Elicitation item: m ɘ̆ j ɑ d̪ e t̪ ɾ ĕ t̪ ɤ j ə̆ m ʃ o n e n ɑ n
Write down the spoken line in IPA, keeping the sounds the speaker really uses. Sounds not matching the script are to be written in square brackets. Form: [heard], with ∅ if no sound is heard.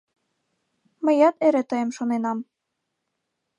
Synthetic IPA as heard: m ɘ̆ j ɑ [t̪] e [∅] ɾ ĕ t̪ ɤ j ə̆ m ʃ o n e n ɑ [m]